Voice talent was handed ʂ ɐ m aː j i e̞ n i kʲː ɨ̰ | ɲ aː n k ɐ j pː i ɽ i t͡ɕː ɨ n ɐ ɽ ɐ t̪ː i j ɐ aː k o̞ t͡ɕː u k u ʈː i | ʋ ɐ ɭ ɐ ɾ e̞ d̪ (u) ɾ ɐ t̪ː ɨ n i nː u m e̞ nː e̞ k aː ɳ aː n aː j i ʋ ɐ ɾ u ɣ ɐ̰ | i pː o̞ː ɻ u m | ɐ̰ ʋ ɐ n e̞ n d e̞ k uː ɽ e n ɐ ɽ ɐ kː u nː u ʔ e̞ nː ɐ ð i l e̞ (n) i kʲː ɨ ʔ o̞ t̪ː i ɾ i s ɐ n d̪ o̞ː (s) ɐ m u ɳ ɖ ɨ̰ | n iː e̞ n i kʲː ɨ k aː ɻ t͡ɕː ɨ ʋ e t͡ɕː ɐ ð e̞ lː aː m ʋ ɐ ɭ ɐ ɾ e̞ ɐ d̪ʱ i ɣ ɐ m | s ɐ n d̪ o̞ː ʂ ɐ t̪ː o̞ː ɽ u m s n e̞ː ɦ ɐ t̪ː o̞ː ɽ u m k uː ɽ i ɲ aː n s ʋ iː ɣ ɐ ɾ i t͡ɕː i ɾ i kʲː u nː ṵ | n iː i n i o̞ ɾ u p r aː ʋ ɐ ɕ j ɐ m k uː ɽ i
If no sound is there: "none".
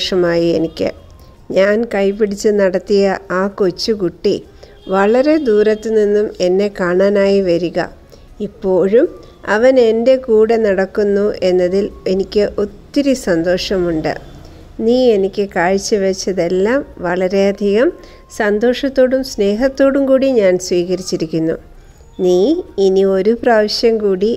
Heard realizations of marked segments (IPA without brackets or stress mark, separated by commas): uː, n, ʂ